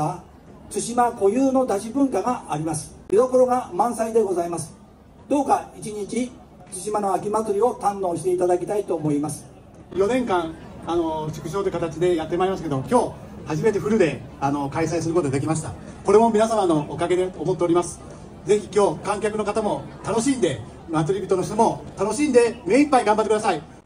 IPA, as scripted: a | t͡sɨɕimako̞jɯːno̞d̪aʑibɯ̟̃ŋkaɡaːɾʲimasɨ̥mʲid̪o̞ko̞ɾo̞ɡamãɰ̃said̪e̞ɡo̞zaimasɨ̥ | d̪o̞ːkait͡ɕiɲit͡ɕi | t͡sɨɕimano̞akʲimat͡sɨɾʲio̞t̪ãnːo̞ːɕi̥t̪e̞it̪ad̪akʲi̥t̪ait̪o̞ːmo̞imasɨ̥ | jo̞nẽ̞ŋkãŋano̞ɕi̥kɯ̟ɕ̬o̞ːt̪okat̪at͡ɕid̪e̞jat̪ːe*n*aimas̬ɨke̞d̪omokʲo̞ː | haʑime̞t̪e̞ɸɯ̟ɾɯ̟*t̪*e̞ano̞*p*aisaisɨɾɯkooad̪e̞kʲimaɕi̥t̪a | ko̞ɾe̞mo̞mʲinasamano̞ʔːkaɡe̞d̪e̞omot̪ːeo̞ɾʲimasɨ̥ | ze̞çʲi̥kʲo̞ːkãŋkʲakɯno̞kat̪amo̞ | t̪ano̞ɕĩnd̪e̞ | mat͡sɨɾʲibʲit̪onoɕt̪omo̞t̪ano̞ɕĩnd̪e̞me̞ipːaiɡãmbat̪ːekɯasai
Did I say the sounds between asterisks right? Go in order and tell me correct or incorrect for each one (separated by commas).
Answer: incorrect, incorrect, incorrect